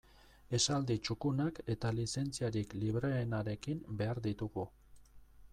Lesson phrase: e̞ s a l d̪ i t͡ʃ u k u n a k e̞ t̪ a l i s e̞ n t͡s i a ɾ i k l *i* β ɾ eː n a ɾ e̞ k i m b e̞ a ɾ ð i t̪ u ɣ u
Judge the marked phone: correct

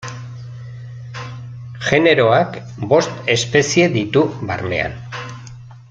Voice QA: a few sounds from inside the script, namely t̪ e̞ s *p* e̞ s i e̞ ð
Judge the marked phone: correct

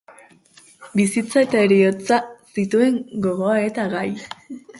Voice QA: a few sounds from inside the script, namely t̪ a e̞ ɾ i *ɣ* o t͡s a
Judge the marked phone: incorrect: none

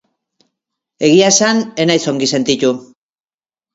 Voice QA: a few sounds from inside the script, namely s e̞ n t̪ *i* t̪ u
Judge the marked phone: correct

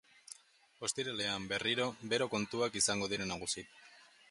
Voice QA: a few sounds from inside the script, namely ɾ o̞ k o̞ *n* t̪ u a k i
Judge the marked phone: correct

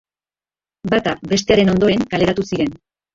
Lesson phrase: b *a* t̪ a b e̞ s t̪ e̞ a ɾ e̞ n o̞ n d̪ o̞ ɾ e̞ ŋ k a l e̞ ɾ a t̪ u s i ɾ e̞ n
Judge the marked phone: correct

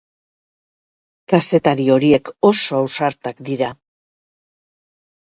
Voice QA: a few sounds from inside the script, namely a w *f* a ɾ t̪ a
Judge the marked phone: incorrect: s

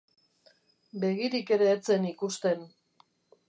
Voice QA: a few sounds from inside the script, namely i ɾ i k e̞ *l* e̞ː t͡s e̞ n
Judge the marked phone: incorrect: ɾ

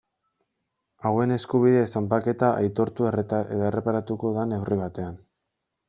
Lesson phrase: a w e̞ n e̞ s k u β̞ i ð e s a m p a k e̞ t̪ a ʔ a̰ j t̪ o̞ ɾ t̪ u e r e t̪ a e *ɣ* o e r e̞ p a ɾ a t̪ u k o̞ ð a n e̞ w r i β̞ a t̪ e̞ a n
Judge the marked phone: incorrect: ð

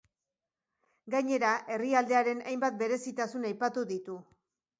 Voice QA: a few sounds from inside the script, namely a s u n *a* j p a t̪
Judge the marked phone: correct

